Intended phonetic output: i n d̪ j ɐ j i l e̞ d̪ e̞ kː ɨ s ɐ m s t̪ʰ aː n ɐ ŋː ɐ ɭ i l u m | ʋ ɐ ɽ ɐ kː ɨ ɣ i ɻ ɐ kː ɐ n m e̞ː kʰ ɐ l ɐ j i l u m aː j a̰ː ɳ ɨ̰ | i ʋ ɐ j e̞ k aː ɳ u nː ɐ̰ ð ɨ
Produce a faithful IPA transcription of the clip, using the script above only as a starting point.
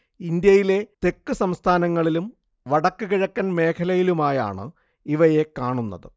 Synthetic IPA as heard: i n d̪ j ɐ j i l e̞ t̪ e̞ kː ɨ s ɐ m s t̪ʰ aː n ɐ ŋː ɐ ɭ i l u m | ʋ ɐ ɽ ɐ kː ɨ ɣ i ɻ ɐ kː ɐ n m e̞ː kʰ ɐ l ɐ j i l u m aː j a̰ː ɳ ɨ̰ | i ʋ ɐ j e̞ k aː ɳ u nː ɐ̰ ð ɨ